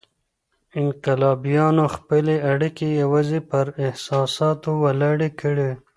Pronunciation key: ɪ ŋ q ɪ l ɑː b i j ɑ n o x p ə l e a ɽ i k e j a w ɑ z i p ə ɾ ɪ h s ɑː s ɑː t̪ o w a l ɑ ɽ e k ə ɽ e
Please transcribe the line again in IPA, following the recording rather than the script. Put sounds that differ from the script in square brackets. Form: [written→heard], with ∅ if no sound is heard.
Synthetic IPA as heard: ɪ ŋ q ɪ l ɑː b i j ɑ n o x p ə l e a ɽ i k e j a w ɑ z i p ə ɾ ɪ h s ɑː s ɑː t̪ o w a l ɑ ɽ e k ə ɽ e